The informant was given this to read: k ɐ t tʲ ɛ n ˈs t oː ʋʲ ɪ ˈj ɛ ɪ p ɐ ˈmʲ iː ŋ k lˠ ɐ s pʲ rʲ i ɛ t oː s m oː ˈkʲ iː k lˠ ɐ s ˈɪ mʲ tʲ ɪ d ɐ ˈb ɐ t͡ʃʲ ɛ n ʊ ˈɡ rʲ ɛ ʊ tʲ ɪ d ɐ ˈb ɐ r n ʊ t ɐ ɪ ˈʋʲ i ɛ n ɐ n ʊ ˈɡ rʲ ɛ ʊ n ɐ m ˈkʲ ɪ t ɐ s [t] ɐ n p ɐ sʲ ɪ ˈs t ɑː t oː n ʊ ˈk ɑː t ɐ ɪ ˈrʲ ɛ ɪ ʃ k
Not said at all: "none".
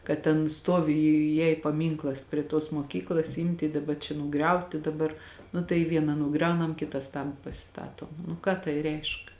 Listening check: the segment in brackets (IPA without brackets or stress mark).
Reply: t